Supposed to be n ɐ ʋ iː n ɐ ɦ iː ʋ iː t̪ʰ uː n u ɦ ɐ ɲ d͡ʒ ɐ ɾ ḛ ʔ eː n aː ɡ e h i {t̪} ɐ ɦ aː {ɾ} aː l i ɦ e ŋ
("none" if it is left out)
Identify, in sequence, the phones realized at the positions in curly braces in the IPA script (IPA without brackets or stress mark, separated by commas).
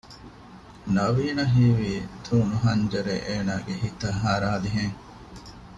t̪, ɾ